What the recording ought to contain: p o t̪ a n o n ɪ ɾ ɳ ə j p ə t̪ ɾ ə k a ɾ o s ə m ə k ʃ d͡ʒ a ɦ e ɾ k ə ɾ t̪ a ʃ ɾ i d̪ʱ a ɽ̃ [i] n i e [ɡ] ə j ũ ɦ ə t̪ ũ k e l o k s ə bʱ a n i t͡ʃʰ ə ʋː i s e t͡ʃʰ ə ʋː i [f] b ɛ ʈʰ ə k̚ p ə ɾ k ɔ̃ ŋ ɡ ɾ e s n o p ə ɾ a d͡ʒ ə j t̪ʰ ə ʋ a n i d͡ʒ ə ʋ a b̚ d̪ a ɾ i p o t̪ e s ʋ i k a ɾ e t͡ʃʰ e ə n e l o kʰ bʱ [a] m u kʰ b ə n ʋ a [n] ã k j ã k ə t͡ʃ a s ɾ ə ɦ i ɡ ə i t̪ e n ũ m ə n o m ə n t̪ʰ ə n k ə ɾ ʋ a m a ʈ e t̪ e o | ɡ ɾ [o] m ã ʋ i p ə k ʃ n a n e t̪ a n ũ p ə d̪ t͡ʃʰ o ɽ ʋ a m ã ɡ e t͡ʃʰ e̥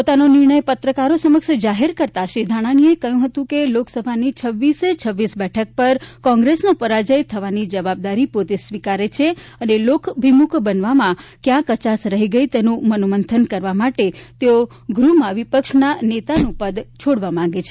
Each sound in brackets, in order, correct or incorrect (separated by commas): incorrect, incorrect, incorrect, incorrect, incorrect, incorrect